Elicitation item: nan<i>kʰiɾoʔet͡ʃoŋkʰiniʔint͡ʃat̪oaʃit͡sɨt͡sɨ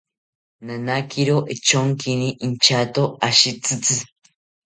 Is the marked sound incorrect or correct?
incorrect